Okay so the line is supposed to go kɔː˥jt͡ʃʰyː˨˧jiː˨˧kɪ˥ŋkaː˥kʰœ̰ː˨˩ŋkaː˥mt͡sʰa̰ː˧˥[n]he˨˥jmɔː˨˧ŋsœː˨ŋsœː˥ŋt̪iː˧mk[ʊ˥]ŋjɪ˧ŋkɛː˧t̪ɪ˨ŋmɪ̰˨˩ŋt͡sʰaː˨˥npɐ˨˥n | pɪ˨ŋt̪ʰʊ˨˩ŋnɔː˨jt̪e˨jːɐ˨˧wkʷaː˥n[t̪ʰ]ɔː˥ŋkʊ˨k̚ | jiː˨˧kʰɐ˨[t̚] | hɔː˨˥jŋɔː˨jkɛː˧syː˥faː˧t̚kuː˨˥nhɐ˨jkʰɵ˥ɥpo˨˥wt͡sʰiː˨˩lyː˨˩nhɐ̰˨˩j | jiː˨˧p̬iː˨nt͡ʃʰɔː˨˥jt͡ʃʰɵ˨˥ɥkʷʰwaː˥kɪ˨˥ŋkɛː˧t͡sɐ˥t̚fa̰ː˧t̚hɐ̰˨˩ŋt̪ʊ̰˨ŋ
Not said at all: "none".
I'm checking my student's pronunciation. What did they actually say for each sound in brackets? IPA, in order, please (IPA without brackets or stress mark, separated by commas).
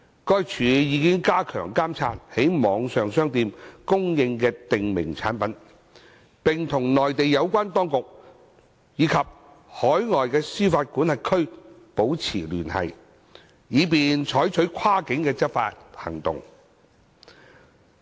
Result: n, ʊ˥, t̪, p̚